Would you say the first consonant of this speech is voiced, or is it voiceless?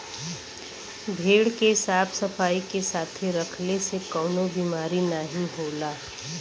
voiced